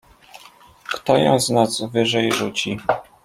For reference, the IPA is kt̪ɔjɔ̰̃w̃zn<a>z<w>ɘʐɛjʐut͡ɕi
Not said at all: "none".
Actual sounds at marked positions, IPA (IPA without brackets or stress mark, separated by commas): a, v